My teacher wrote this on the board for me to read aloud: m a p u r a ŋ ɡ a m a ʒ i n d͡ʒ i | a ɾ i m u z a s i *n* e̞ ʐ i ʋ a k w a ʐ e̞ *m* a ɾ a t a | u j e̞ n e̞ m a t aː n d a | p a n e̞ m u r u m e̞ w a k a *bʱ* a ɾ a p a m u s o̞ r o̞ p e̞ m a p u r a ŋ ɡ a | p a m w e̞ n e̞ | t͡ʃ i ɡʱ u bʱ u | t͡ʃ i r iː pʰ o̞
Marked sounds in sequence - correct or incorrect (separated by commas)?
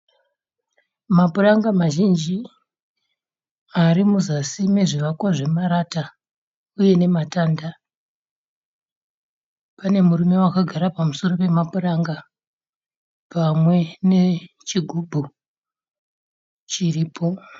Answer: incorrect, correct, incorrect